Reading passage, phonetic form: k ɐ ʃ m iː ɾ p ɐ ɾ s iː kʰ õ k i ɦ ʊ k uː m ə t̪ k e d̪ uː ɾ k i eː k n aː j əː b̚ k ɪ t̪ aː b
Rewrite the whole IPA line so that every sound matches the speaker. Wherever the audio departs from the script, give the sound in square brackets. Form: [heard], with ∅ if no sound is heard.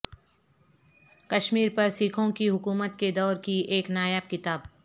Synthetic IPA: k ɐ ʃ m iː ɾ p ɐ ɾ s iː kʰ õ k i ɦ ʊ k uː m ə t̪ k e d̪ [ɔː] ɾ k i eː k n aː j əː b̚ k ɪ t̪ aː b